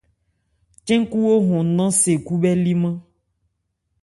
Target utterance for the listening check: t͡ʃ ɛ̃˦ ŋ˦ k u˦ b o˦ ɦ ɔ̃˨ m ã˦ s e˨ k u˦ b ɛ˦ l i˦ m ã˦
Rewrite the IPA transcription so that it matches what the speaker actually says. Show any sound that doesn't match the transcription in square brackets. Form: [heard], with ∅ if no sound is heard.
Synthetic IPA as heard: t͡ʃ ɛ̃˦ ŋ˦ k u˦ [w] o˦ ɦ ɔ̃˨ [n] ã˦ s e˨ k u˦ b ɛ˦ l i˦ m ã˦